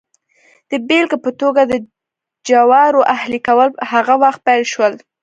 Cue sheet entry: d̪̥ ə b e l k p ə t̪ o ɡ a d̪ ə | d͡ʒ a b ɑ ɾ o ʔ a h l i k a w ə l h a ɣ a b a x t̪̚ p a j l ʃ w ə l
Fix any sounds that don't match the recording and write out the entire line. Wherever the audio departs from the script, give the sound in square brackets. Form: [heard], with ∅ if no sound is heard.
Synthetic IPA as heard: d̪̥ ə b e l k p ə t̪ o ɡ a d̪ ə | d͡ʒ a [w] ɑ ɾ o ʔ a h l i k a w ə l h a ɣ a [w] a x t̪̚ p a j l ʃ w ə l